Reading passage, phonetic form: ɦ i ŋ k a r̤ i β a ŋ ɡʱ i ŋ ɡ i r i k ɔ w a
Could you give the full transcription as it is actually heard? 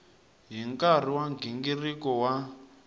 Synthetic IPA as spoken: ɦ i ŋ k a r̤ i w a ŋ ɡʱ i ŋ ɡ i r i k ɔ w a